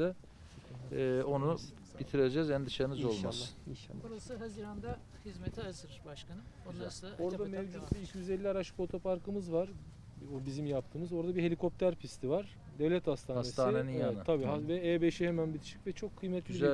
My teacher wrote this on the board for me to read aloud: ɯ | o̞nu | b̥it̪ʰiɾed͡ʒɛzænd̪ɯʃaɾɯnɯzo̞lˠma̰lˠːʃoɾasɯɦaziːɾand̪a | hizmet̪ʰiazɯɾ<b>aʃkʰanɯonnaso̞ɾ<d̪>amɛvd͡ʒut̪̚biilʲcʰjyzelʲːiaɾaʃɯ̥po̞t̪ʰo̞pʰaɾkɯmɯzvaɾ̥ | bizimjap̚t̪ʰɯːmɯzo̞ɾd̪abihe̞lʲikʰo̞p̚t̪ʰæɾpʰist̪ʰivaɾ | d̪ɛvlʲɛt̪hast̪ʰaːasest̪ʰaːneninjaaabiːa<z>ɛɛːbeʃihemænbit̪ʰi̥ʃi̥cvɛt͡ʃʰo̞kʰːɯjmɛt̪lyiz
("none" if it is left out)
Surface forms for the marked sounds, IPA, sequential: b, d̪, v

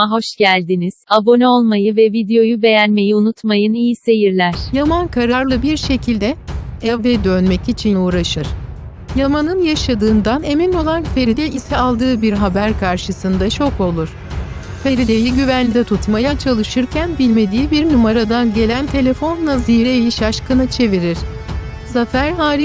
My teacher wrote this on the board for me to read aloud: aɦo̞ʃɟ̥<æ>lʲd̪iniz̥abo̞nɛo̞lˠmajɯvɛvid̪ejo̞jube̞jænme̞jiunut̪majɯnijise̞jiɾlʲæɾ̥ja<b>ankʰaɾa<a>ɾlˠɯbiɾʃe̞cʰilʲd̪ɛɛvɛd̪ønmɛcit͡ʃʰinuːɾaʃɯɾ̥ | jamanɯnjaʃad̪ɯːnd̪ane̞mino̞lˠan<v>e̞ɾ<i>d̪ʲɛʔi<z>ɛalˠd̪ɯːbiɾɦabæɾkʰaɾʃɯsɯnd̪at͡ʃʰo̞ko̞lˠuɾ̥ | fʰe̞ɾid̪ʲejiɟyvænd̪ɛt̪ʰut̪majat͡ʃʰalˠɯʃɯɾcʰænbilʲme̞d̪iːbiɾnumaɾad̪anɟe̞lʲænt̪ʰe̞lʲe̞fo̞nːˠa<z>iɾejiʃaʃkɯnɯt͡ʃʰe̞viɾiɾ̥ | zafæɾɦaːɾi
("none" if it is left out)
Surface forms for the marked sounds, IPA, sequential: æ, m, a, f, i, s, z

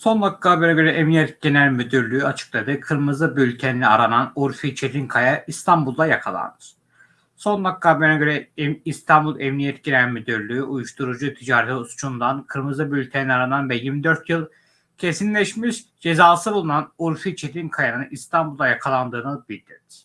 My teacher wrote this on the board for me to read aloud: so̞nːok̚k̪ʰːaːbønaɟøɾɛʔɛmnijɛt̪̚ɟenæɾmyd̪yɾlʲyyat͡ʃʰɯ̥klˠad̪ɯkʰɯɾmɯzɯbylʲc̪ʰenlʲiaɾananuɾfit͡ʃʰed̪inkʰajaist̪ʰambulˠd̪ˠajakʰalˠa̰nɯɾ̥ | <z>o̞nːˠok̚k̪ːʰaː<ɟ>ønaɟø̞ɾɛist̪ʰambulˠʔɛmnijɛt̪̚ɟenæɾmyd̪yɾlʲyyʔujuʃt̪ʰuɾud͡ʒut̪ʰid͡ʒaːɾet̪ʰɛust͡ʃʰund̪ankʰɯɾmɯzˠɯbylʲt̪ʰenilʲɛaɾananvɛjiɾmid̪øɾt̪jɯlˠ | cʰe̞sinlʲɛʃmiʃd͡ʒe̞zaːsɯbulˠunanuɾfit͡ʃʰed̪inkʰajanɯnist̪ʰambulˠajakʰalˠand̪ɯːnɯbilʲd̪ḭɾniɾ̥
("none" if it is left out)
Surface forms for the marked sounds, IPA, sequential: s, b

